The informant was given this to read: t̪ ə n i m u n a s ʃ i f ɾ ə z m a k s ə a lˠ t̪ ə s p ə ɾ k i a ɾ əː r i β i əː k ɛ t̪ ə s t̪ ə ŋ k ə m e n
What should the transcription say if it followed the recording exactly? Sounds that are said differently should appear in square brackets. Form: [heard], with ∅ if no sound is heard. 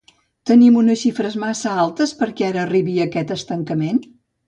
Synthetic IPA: t̪ ə n i m u n [ə] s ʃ i f ɾ ə z m a [∅] s ə a lˠ t̪ ə s p ə ɾ k [ɛ] a ɾ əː r i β i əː k ɛ t̪ ə s t̪ ə ŋ k ə m e n